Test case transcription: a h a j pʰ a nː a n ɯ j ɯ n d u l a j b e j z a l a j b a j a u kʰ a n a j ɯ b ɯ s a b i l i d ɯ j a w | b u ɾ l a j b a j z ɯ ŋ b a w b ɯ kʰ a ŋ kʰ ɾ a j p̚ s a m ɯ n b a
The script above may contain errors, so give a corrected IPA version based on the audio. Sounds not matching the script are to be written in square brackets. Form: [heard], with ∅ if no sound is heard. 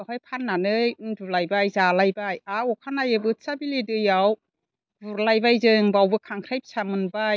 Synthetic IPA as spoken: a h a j pʰ a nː a n ɯ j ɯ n d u l a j b [a] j z a l a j b a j a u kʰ a n a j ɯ b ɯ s a b i l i d ɯ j a w | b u ɾ l a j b a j z ɯ ŋ b a w b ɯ kʰ a ŋ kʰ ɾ a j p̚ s a m ɯ n b a